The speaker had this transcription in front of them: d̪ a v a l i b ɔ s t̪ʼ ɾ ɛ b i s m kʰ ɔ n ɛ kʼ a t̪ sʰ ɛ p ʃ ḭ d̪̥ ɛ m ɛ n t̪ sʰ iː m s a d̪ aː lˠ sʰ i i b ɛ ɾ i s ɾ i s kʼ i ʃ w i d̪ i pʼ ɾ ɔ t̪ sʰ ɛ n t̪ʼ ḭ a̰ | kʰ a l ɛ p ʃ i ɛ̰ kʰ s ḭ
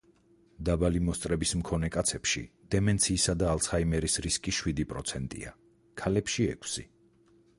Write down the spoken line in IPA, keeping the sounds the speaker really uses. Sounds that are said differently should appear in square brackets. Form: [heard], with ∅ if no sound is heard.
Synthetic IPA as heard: d̪ a [b] a l i [m] ɔ s t̪ʼ ɾ ɛ b i s m kʰ ɔ n ɛ kʼ a t̪ sʰ ɛ p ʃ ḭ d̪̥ ɛ m ɛ n t̪ sʰ iː [∅] s a d̪ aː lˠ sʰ [a] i [m] ɛ ɾ i s ɾ i s kʼ i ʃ w i d̪ i pʼ ɾ ɔ t̪ sʰ ɛ n t̪ʼ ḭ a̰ | kʰ a l ɛ p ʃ i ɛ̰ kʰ s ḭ